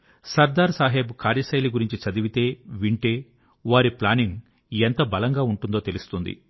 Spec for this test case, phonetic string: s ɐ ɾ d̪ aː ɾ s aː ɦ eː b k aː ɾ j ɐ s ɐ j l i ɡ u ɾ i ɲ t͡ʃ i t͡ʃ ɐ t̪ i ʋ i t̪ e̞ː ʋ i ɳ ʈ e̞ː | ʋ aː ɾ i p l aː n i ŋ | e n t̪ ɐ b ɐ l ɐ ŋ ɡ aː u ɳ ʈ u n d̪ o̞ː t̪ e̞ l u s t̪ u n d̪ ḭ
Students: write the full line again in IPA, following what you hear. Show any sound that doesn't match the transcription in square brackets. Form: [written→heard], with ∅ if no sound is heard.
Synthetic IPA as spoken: s ɐ ɾ d̪ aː ɾ s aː ɦ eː b k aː ɾ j ɐ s ɐ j l i ɡ u ɾ i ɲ t͡ʃ i t͡ʃ ɐ [t̪→d̪] i ʋ i t̪ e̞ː ʋ i ɳ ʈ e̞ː | ʋ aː ɾ i p l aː n i ŋ | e n t̪ ɐ b ɐ l ɐ ŋ ɡ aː u ɳ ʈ u n d̪ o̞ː t̪ e̞ l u s t̪ u n d̪ ḭ